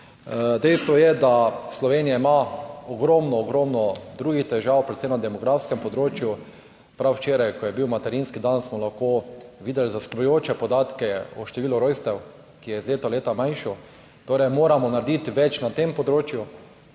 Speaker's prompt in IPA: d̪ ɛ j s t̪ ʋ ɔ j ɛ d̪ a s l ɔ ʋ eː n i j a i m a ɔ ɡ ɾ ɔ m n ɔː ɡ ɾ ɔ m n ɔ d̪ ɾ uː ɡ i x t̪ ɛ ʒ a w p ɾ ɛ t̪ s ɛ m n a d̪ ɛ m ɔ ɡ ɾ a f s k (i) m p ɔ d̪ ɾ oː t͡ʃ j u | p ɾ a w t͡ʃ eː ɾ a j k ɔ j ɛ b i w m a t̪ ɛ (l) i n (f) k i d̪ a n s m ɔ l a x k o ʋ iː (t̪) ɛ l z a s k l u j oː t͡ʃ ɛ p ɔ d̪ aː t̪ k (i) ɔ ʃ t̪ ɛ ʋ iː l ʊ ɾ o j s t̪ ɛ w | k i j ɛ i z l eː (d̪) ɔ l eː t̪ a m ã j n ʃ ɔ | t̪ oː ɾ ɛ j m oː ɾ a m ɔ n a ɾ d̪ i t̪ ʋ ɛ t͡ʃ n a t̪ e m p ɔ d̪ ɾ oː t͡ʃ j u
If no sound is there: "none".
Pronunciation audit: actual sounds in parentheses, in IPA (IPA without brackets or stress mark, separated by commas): ɛ, ɾ, s, d̪, ɛ, t̪